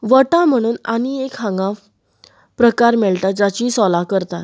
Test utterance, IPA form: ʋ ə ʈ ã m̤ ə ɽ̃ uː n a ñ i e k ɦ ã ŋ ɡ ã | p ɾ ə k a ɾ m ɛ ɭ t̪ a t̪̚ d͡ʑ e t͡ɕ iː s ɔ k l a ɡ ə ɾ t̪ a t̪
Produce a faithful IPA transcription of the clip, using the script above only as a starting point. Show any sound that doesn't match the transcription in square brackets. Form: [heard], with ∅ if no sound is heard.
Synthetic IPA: ʋ ə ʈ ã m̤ ə ɽ̃ uː n a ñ i e k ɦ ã ŋ ɡ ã | p ɾ ə k a ɾ m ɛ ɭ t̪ a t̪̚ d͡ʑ [a] t͡ɕ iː s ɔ [∅] l a [k] ə ɾ t̪ a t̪